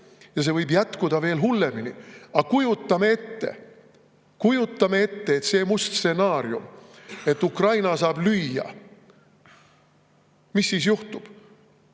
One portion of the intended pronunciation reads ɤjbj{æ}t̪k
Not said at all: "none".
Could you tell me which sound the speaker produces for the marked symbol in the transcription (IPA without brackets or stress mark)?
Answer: æ